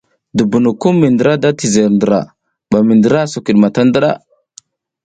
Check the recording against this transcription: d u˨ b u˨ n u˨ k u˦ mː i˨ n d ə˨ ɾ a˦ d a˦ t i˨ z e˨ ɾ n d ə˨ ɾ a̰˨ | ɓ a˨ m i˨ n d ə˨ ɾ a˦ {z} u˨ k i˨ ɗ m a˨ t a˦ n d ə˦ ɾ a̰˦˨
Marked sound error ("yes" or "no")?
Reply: yes